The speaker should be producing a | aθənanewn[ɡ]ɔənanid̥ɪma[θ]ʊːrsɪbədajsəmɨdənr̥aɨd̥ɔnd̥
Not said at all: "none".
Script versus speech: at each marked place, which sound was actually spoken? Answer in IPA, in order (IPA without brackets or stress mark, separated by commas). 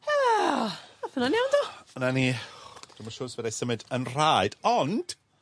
d, ʃ